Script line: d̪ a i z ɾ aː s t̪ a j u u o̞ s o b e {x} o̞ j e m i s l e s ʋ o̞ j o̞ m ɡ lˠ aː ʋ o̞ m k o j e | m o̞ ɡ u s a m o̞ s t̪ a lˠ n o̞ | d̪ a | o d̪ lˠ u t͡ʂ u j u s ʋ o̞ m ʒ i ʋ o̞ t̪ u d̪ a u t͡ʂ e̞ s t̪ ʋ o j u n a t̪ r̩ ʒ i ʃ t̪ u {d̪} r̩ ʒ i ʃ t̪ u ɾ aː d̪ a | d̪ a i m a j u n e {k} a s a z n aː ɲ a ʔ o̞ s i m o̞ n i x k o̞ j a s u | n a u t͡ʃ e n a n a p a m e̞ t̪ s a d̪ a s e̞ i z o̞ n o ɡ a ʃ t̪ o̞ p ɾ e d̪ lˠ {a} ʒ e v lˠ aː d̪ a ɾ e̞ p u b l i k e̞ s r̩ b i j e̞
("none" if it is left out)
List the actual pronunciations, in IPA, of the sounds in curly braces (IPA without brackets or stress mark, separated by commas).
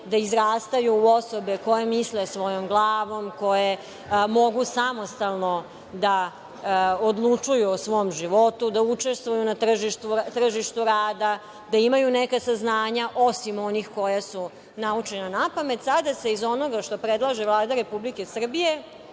k, t̪, k, a